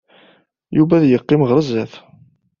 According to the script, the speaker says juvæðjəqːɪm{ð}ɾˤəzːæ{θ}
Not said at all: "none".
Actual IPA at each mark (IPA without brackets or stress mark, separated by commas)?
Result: ʁ, θ